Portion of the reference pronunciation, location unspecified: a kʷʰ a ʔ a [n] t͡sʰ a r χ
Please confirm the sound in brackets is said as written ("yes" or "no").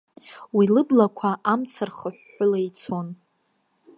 no